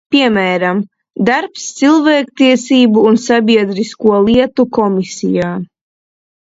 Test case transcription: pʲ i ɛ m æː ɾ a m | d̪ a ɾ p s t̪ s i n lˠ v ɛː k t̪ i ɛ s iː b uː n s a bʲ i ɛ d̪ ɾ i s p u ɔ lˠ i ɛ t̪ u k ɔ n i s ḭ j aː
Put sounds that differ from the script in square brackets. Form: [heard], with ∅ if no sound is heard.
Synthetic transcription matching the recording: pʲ i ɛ m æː ɾ a m | d̪ a ɾ p s t̪ s i [∅] lˠ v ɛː k t̪ i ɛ s iː b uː n s a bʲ i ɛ d̪ ɾ i s [k] u ɔ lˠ i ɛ t̪ u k ɔ [m] i s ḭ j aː